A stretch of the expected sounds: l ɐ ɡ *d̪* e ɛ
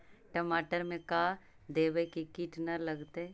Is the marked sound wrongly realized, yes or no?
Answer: yes